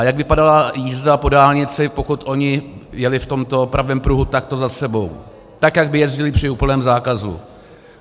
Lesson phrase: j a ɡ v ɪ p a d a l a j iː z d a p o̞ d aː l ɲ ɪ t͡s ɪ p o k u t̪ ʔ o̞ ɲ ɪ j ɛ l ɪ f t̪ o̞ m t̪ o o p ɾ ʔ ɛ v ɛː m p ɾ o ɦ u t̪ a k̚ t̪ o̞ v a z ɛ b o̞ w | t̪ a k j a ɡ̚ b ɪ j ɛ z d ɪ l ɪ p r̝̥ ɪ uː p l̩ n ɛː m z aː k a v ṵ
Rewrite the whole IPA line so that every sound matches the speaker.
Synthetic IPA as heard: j a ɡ v ɪ p a d a l a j iː z d a p o̞ d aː l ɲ ɪ t͡s ɪ p o k u t̪ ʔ o̞ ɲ ɪ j ɛ l ɪ f t̪ o̞ m t̪ o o p ɾ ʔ a v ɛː m p ɾ u ɦ u t̪ a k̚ t̪ o̞ z a s ɛ b o̞ w | t̪ a k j a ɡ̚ b ɪ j ɛ z ɟ ɪ l ɪ p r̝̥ ɪ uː p l̩ n ɛː m z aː k a z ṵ